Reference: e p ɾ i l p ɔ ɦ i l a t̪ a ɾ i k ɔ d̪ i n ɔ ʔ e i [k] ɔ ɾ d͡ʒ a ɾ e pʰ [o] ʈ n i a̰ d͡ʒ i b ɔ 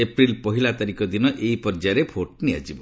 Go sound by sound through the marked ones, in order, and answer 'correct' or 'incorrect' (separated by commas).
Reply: incorrect, correct